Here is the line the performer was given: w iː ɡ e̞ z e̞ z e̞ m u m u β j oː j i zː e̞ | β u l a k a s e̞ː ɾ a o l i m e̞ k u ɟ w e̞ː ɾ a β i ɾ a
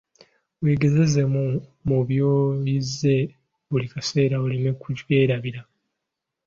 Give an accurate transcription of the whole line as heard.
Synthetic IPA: w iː ɡ e̞ z e̞ z e̞ m u m u β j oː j i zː e̞ | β u l i k a s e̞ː ɾ a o l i m e̞ k u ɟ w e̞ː ɾ a β i ɾ a

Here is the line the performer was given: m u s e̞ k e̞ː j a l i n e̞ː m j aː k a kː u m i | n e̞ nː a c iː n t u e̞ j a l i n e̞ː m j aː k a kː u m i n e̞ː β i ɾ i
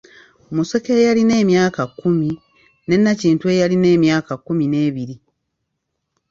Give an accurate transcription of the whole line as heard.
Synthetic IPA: m u s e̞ k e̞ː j a l i n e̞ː m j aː k a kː u m i | n e̞ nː a c iː n t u e̞ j a l i n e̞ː m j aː k a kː u m i n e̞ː β i ɾ i

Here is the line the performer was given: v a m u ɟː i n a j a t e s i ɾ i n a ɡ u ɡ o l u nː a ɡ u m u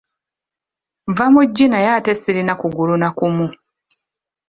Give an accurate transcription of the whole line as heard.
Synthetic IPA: v a m u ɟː i n a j a t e s i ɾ i n a k u ɡ u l u n a k u m u

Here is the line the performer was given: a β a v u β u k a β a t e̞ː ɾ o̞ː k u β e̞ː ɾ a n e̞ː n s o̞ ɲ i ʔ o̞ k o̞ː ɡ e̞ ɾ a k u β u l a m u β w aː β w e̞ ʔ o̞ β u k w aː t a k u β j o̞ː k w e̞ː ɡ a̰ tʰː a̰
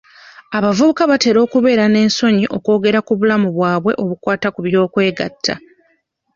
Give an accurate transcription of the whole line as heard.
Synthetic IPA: a β a v u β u k a β a t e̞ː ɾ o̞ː k u β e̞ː ɾ a n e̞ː n s o̞ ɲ i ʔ o̞ k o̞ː ɡ e̞ ɾ a k u β u l a m u β w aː β w e̞ ʔ o̞ β u k w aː t a k u β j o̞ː k w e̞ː ɡ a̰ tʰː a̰

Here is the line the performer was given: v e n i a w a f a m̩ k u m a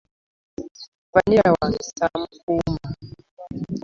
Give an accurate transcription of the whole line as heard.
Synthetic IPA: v a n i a w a s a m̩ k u m a

